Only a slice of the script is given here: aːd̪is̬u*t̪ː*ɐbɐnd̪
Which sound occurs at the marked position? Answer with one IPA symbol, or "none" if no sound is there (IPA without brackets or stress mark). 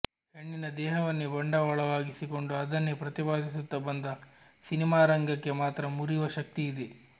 t̪ː